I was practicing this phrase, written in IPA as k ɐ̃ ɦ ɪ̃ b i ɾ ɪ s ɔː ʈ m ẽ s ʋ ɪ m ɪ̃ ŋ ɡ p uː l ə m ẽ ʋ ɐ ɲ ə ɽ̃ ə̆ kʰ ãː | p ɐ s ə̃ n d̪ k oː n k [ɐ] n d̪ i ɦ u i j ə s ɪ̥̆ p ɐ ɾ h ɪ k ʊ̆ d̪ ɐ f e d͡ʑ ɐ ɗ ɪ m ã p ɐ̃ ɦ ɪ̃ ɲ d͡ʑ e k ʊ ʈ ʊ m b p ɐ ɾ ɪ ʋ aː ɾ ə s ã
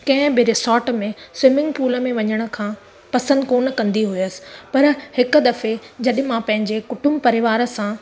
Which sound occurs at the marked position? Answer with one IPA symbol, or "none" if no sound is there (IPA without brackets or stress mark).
ɐ̃